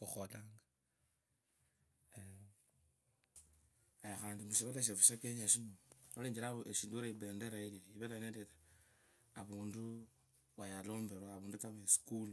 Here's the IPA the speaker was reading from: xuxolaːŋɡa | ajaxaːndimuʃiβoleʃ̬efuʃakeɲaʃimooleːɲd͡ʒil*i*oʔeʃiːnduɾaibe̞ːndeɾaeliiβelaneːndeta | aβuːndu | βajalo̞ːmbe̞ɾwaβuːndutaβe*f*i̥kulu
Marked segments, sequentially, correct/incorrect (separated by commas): incorrect, incorrect